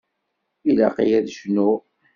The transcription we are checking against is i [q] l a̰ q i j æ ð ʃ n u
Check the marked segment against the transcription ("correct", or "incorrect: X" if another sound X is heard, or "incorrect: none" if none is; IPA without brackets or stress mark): incorrect: none